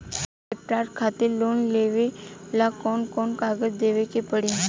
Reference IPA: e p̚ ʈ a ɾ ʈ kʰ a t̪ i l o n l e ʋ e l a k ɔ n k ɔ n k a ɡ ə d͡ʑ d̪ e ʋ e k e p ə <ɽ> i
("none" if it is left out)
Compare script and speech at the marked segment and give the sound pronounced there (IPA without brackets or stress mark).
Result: ɽ